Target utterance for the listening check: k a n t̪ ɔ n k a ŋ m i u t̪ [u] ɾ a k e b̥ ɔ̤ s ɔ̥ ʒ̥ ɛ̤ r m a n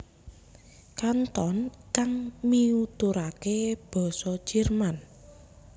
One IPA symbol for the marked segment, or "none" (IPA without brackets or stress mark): u